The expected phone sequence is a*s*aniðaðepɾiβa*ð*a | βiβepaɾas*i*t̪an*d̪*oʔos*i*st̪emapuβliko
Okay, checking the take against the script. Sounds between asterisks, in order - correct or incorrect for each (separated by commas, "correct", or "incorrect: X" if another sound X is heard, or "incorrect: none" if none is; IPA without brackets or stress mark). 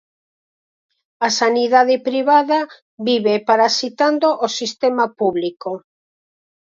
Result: correct, correct, correct, correct, correct